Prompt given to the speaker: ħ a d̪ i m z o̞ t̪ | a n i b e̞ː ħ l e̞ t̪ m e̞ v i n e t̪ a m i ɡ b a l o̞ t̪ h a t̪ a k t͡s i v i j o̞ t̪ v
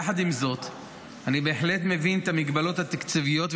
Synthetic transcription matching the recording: ħ a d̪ i m z o̞ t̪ | a n i b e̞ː ħ l e̞ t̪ m e̞ v i n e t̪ a m i ɡ b a l o̞ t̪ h a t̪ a k t͡s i v i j o̞ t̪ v